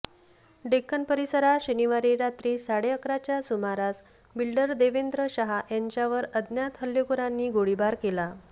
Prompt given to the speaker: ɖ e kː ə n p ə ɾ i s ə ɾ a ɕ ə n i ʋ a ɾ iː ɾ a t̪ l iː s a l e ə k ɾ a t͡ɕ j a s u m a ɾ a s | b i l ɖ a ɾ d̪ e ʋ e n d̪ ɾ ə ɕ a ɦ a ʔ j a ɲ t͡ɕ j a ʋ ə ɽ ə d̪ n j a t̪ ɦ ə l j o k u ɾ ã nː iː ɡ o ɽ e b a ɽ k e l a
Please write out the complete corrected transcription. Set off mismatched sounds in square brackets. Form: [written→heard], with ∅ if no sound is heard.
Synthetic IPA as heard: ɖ e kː ə n p ə ɾ i s ə ɾ a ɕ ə n i ʋ a ɾ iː ɾ a t̪ [l→ɾ] iː s a [l→ɽ] e ə k ɾ a t͡ɕ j a s u m a ɾ a s | b i l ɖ [a→ə] ɾ d̪ e ʋ e n d̪ ɾ ə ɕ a ɦ a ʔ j a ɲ t͡ɕ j a ʋ ə [ɽ→ɾ] ə d̪ n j a t̪ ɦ ə l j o k u ɾ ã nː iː ɡ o ɽ [e→i] b a [ɽ→ɾ] k e l a